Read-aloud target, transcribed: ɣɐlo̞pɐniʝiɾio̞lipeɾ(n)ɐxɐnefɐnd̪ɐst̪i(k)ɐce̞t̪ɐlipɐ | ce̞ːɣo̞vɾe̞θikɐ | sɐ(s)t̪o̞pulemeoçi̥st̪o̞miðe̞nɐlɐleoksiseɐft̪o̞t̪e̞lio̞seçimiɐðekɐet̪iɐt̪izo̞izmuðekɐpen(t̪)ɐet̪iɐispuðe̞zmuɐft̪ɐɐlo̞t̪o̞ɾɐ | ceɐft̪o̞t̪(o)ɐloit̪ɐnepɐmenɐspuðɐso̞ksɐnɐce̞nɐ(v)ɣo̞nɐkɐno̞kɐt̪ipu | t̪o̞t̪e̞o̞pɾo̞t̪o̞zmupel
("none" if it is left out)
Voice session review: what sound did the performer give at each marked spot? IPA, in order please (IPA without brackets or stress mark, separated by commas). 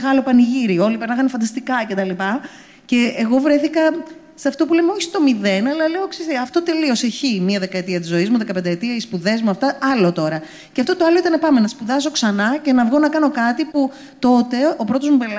n, k, f, d̪, o, v